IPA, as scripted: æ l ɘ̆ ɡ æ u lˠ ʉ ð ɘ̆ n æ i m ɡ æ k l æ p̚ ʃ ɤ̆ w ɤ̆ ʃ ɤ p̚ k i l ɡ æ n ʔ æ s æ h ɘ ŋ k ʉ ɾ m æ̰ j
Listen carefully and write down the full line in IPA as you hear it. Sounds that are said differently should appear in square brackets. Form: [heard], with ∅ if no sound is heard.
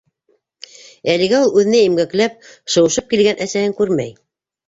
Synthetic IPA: æ l ɘ̆ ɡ æ u lˠ ʉ ð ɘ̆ n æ i m ɡ æ k l æ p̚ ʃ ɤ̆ w ɤ̆ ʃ ɤ p̚ k i l ɡ æ n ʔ æ s æ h ɘ ŋ k ʉ ɾ m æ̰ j